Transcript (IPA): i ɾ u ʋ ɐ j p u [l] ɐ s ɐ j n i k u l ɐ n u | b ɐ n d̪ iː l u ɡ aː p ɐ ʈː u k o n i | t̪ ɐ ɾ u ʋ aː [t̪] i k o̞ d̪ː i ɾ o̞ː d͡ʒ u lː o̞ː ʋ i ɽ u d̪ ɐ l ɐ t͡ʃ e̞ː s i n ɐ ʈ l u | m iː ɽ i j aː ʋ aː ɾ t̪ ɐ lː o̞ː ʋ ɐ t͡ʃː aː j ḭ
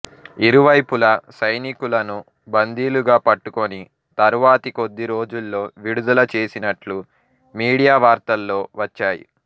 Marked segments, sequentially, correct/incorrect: correct, correct

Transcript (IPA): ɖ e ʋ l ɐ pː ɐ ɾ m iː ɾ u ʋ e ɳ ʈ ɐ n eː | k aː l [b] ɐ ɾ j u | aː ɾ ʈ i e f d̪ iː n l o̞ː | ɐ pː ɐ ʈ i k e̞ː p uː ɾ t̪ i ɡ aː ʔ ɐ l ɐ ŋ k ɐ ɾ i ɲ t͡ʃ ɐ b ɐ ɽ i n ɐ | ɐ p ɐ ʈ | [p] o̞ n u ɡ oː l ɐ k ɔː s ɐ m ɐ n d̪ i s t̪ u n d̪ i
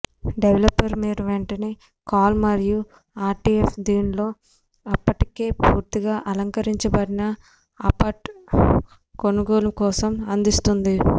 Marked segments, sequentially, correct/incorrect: incorrect, incorrect

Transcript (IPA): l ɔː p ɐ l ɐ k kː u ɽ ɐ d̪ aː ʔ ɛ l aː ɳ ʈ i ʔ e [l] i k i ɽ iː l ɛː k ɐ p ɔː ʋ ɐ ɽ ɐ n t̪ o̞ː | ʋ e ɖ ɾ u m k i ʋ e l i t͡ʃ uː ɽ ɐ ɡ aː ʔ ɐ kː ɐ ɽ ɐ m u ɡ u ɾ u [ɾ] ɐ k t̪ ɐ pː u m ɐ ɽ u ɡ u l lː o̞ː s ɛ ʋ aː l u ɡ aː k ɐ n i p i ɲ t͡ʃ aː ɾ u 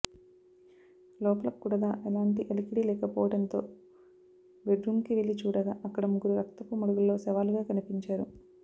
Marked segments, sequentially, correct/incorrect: correct, correct

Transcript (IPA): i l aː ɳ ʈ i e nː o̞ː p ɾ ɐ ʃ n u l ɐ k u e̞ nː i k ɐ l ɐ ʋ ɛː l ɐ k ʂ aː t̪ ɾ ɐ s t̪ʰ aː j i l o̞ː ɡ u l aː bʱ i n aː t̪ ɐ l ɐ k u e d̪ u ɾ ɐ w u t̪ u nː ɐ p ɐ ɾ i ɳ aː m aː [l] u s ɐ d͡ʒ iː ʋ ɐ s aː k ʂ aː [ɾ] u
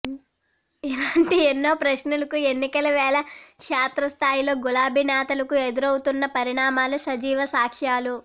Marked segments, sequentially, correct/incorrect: correct, incorrect

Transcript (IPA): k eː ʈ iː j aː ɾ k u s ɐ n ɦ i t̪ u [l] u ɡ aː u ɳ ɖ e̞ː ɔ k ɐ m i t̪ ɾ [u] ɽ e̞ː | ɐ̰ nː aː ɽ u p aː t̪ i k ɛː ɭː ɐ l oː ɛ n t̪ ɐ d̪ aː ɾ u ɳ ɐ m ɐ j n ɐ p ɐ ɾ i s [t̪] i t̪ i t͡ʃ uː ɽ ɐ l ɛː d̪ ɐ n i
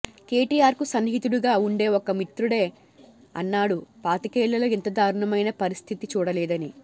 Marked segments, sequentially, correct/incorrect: incorrect, correct, incorrect

